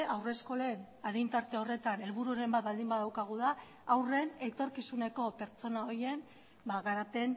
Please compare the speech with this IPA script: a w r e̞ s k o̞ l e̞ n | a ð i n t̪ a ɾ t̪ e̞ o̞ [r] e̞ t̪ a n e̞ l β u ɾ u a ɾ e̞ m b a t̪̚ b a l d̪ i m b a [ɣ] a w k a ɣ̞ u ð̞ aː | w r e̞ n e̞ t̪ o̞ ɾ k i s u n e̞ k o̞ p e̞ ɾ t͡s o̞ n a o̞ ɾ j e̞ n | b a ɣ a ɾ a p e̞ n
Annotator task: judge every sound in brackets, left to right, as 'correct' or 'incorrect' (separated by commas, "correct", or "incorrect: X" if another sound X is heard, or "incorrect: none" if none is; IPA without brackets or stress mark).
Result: correct, incorrect: ð